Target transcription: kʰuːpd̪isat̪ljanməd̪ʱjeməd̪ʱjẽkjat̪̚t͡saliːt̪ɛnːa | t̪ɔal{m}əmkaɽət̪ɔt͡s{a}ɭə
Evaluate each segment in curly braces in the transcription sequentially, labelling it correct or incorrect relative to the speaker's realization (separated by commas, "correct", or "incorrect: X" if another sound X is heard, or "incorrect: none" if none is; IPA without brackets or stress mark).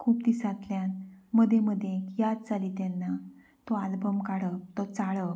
incorrect: b, correct